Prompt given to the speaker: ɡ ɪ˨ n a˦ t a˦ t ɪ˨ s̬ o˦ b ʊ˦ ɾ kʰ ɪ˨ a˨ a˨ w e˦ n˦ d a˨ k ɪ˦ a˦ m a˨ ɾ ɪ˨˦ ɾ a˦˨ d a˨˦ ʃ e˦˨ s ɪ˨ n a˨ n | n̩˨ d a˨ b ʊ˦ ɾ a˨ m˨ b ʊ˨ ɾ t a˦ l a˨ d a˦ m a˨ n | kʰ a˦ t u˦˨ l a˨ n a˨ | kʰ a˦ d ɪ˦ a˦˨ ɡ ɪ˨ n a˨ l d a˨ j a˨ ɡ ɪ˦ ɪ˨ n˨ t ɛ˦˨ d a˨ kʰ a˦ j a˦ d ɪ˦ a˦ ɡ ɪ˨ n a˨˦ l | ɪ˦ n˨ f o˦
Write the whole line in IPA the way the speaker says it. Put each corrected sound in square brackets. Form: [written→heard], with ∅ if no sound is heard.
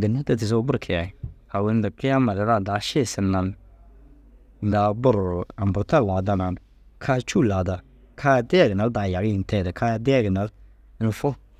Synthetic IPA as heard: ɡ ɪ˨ n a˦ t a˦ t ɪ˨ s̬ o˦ b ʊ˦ ɾ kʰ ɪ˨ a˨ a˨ w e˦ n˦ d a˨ k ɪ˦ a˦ m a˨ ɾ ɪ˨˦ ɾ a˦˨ d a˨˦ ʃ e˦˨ s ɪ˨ n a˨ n | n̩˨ d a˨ b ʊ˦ ɾ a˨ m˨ b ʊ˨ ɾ t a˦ l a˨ d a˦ [m→n] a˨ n | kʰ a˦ [t→t͡ʃ] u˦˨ l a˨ [n→d] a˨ | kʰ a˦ d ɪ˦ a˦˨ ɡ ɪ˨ n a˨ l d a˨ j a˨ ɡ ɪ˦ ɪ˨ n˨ t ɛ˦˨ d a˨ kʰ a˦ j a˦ d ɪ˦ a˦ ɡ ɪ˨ n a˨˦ l | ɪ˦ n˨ f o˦